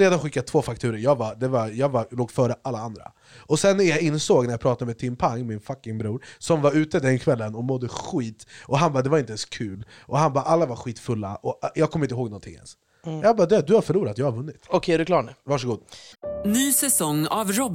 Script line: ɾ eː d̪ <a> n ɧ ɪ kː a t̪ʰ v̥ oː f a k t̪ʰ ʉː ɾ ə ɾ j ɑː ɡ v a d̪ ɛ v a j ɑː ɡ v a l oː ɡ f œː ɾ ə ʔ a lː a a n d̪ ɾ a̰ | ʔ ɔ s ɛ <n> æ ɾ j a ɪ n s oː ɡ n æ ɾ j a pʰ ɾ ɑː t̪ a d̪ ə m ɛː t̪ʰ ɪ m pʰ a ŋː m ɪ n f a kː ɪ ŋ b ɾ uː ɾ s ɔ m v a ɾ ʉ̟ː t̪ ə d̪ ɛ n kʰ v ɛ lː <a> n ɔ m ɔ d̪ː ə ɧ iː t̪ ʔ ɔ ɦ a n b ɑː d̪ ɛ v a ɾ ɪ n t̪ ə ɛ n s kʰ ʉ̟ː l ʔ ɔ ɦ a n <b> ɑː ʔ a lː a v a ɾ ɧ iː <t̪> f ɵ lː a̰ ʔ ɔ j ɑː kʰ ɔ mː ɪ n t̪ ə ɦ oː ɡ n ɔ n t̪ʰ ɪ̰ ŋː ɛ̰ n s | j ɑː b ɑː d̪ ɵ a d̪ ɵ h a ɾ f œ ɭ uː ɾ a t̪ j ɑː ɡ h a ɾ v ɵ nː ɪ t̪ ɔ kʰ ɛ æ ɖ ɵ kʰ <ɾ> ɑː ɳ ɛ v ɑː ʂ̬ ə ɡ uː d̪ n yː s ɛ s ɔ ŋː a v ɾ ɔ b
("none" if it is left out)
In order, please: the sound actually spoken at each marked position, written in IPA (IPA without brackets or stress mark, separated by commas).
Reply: a, nː, ə, b, t̪, l